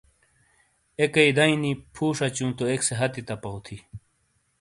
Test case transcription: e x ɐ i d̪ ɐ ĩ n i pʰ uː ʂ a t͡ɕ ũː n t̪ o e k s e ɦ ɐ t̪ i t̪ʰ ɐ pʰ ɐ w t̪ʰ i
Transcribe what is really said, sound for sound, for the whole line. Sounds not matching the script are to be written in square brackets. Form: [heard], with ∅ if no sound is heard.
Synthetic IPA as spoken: e [k] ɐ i d̪ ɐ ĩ n i pʰ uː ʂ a t͡ɕ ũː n t̪ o e k s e ɦ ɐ t̪ i [t̪] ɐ [p] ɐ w t̪ʰ i